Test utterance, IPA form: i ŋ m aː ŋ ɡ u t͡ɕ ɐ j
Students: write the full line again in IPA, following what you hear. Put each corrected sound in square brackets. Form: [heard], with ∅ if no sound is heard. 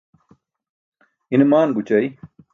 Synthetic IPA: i [n] m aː [n] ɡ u t͡ɕ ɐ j